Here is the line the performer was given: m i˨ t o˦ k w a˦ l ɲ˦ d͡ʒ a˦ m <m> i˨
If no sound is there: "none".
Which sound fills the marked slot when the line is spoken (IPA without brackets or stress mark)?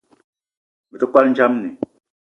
n